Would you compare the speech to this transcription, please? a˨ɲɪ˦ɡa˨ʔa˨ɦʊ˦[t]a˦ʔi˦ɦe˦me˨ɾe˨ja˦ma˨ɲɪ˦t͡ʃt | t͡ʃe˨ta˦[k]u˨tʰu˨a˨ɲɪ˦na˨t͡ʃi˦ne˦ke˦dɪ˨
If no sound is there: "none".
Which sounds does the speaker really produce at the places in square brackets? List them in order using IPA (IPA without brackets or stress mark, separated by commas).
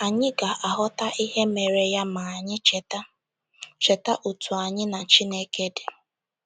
t, ʔ